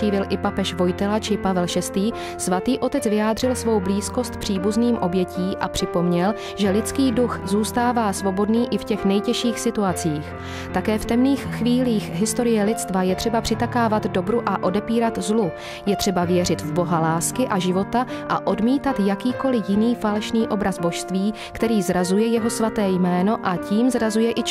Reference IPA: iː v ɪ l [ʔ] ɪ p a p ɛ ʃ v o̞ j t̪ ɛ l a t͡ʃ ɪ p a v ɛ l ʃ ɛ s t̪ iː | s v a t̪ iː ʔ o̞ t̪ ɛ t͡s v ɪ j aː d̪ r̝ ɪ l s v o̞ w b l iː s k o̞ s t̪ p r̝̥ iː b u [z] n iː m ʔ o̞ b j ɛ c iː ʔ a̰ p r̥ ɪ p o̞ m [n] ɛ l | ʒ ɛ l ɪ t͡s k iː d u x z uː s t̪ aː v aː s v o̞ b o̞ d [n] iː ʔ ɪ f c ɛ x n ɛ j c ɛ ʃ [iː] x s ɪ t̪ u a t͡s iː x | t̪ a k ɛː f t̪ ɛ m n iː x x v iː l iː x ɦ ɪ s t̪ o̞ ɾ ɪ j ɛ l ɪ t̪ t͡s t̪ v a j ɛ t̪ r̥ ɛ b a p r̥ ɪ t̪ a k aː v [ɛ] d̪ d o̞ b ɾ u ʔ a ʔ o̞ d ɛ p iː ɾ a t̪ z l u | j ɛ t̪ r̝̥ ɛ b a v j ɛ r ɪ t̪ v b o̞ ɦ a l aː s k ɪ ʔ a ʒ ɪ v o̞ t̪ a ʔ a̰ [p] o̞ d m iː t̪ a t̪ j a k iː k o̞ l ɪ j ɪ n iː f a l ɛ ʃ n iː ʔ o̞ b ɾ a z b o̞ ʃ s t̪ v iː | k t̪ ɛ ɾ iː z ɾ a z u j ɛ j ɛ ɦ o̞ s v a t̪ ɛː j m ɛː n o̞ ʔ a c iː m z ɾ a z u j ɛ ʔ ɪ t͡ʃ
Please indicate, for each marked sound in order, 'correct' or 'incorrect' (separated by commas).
correct, correct, incorrect, correct, correct, incorrect, incorrect